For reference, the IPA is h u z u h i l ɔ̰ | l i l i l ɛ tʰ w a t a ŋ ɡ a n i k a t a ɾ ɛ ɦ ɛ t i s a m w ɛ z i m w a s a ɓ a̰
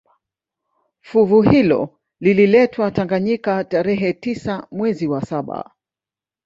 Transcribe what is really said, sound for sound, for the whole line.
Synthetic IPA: f u v u h i l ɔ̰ | l i l i l ɛ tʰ w a t a ŋ ɡ a ɲ i k a t a ɾ ɛ ɦ ɛ t i s a m w ɛ z i w a s a ɓ a̰